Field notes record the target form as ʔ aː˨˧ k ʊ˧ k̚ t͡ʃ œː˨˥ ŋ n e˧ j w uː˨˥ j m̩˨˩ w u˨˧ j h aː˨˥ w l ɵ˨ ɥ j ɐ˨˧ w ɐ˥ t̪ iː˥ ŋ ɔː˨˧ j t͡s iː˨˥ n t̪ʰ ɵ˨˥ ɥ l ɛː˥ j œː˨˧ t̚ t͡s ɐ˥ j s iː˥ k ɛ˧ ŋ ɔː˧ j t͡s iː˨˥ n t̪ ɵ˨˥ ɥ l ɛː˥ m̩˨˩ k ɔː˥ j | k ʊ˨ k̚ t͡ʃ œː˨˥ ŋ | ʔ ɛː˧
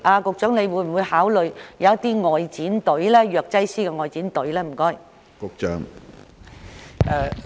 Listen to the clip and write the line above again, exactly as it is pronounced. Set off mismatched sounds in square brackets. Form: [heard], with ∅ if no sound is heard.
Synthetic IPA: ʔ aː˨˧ k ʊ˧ k̚ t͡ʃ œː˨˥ ŋ n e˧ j w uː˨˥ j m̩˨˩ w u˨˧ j h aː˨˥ w l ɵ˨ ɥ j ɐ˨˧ w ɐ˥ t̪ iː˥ ŋ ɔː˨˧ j t͡s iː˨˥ n [t̪] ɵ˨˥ ɥ l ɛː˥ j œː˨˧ [k̚] t͡s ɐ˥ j s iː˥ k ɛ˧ ŋ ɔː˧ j t͡s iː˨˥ n t̪ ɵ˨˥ ɥ l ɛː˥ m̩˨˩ k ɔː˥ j | k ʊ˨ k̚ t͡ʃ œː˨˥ ŋ | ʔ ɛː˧